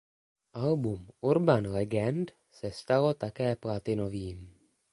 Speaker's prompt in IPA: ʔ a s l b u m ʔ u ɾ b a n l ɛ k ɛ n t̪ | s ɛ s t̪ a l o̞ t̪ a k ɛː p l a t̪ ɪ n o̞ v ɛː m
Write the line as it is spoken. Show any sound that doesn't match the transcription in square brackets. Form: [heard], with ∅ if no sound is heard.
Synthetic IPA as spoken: ʔ a [∅] l b u m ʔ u ɾ b a n l ɛ [ɡ] ɛ n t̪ | s ɛ s t̪ a l o̞ t̪ a k ɛː p l a t̪ ɪ n o̞ v [iː] m

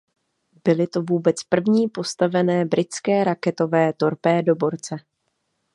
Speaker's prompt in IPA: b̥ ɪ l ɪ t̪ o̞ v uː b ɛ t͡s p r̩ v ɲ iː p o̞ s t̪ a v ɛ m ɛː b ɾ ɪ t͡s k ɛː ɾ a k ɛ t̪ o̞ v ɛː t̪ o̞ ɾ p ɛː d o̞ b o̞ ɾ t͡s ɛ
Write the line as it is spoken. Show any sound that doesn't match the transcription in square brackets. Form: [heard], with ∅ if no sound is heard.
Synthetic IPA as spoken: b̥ ɪ l ɪ t̪ o̞ v uː b ɛ t͡s p r̩ v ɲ iː p o̞ s t̪ a v ɛ [n] ɛː b ɾ ɪ t͡s k ɛː ɾ a k ɛ t̪ o̞ v ɛː t̪ o̞ ɾ p ɛː d o̞ b o̞ ɾ t͡s ɛ

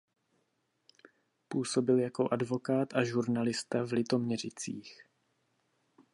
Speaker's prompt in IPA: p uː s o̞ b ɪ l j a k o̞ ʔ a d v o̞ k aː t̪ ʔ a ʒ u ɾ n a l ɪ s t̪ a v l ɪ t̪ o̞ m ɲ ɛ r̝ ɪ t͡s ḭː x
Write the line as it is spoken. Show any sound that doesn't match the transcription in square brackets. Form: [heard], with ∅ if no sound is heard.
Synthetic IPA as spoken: p uː s o̞ b ɪ l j a k o̞ ʔ a d v o̞ k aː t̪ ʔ a ʒ u ɾ n a l ɪ s t̪ a v l ɪ t̪ o̞ m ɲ ɛ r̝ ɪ t͡s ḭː x

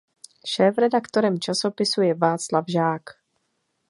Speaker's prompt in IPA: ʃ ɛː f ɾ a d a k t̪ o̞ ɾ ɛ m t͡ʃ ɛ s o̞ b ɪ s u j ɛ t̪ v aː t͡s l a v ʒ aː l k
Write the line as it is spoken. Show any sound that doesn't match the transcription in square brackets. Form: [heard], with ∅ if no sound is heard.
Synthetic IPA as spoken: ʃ ɛː f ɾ [ɛ] d a k t̪ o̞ ɾ ɛ m t͡ʃ [a] s o̞ [p] ɪ s u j ɛ [∅] v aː t͡s l a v ʒ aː [∅] k

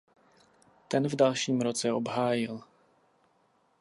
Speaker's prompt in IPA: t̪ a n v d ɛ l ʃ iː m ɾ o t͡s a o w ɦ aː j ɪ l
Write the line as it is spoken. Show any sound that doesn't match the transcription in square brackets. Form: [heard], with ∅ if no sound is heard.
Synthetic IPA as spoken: t̪ [ɛ] n v d [a] l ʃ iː m ɾ o t͡s [ɛ] o [b] ɦ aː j ɪ l

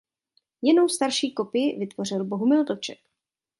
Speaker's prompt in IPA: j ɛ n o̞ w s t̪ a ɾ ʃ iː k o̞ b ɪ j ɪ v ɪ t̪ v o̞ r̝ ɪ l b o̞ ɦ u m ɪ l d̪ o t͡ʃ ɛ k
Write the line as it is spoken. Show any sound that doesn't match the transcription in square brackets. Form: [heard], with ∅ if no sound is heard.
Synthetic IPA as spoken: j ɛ n o̞ w s t̪ a ɾ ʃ iː k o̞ [p] ɪ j ɪ v ɪ t̪ v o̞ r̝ ɪ l b o̞ ɦ u m ɪ l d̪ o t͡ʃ ɛ k

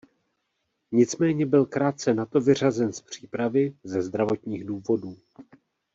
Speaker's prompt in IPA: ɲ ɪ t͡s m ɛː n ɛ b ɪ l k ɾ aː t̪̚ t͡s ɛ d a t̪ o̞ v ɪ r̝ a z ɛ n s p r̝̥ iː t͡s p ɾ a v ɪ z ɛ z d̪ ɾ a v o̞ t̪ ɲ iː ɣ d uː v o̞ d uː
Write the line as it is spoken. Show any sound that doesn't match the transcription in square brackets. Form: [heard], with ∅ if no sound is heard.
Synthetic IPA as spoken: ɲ ɪ t͡s m ɛː [ɲ] ɛ b ɪ l k ɾ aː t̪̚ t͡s ɛ [n] a t̪ o̞ v ɪ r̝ a z ɛ n s p r̝̥ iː [∅] p ɾ a v ɪ z ɛ z d̪ ɾ a v o̞ t̪ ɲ iː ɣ d uː v o̞ d uː

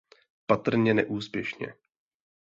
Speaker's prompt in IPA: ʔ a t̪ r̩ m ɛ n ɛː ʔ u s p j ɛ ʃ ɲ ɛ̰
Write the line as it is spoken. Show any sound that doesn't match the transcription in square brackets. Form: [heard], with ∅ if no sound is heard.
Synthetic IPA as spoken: [p] a t̪ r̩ [ɲ] ɛ n [ɛ] ʔ [uː] s p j ɛ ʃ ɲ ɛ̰

